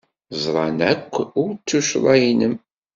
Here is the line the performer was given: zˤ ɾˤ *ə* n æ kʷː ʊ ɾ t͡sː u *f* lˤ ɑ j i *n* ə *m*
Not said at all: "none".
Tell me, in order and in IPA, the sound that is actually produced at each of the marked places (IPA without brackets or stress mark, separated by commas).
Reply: ɑ, ʃ, n, m